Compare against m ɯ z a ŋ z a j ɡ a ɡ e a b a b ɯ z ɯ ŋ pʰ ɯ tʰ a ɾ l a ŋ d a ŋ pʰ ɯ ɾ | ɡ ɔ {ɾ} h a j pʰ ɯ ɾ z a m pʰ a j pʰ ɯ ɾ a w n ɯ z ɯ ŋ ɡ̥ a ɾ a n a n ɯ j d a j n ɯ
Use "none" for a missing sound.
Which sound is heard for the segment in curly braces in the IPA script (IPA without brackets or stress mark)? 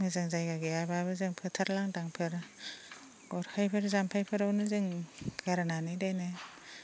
ɾ